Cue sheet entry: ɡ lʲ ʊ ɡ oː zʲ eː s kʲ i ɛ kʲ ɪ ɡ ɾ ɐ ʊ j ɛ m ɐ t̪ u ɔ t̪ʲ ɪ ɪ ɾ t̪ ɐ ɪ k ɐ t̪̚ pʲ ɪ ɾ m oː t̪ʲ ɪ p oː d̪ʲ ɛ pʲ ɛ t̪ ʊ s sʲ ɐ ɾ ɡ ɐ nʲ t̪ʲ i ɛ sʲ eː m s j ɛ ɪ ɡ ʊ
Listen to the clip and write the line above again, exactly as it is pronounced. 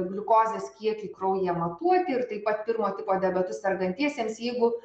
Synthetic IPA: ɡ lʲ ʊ k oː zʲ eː s kʲ i ɛ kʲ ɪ k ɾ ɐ ʊ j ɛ m ɐ t̪ u ɔ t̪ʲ ɪ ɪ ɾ t̪ ɐ ɪ p ɐ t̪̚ pʲ ɪ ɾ m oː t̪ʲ ɪ p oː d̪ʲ ɛ bʲ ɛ t̪ ʊ s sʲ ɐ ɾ ɡ ɐ nʲ t̪ʲ i ɛ sʲ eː m s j ɛ ɪ ɡ ʊ